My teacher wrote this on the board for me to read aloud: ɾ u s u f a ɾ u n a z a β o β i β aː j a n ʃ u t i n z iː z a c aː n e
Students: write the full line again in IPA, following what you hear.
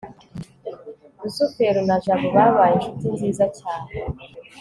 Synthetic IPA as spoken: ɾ u s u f e ɾ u n a ʒ a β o β a β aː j e n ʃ u t i n z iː z a c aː n e